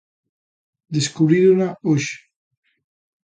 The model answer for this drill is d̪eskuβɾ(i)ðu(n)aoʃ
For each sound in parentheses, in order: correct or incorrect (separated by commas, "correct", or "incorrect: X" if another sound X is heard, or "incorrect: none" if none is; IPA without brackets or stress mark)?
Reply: correct, correct